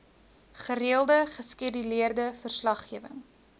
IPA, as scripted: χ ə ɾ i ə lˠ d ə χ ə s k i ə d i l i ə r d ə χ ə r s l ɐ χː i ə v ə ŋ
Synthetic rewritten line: χ ə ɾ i ə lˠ d ə χ ə s k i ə d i l i ə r d ə f ə r s l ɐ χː i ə v ə ŋ